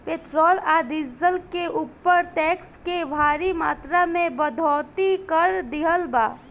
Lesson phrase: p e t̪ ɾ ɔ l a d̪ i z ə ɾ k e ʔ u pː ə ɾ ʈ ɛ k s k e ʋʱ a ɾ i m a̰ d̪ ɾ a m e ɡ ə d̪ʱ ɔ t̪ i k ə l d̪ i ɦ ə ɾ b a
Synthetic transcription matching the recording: p e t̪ ɾ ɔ l a d̪ i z ə l k e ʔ u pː ə ɾ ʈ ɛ k s k e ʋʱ a ɾ i m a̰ t̪ ɾ a m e b ə d̪ʱ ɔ t̪ i k ə ɾ d̪ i ɦ ə l b a